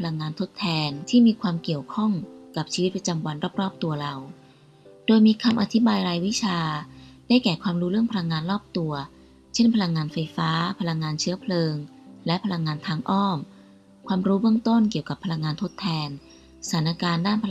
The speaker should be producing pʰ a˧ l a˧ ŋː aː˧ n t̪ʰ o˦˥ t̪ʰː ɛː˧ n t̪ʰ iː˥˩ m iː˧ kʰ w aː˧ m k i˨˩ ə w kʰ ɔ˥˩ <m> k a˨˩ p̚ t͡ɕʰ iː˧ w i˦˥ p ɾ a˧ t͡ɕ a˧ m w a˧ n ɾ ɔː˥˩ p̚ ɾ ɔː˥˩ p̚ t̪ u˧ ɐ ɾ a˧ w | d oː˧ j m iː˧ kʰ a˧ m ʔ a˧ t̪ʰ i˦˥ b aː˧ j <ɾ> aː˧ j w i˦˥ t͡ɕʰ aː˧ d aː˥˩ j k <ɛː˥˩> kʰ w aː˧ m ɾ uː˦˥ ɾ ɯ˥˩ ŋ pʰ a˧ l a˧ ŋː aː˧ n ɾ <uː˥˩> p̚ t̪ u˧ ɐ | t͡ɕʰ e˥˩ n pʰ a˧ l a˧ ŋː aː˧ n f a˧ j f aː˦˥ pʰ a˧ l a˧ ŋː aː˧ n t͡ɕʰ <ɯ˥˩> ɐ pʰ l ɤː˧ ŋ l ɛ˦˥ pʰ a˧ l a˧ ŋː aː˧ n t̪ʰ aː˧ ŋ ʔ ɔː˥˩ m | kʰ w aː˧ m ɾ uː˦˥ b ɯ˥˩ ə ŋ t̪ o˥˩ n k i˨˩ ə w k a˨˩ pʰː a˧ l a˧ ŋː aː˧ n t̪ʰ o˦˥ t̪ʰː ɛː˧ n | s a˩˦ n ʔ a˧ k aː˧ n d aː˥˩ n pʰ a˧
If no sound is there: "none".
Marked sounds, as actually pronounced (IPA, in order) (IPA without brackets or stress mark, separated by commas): ŋ, ɾ, ɛː˨˩, ɔː˥˩, ɯ˦˥